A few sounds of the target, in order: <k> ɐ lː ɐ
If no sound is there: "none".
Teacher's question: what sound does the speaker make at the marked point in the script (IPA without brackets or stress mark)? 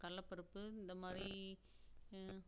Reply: k